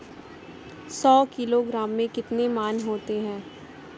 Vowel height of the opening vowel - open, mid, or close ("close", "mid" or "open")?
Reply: mid